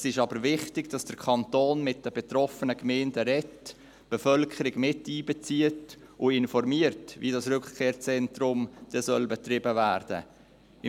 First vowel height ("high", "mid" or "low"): high